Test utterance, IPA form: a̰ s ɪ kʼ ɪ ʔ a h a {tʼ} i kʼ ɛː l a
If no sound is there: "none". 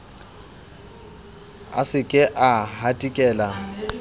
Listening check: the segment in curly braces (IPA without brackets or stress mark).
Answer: tʼ